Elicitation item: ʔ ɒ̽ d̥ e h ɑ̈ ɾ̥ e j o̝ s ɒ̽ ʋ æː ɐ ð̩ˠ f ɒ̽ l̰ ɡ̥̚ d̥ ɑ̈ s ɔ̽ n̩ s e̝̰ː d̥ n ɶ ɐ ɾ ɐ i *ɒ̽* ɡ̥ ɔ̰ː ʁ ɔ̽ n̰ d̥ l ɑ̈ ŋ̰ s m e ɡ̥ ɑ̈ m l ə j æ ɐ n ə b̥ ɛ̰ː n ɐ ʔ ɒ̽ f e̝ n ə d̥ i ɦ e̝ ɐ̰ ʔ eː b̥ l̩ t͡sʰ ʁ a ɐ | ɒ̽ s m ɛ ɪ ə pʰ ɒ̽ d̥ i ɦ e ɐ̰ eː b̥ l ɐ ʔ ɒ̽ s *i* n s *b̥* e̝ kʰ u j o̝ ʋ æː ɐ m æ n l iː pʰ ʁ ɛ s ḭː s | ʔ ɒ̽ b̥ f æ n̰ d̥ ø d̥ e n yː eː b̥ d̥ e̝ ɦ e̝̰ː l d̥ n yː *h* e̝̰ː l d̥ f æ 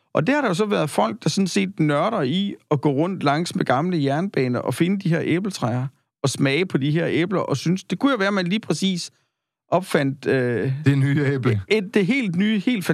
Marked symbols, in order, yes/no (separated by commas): yes, no, no, yes